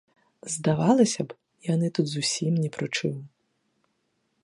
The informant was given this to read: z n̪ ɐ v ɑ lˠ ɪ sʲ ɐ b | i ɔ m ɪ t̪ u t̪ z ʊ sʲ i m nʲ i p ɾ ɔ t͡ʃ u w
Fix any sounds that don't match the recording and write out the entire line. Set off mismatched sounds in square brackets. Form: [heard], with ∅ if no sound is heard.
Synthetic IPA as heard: z [d̪] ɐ [ʋ] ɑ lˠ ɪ sʲ ɐ b | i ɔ [n] ɪ t̪ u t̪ z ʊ sʲ i m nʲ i p ɾ ɔ t͡ʃ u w